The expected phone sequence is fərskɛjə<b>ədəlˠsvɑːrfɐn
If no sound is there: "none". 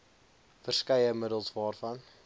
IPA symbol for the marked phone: m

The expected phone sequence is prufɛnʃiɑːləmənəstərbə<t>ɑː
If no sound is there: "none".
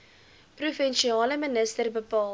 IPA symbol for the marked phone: p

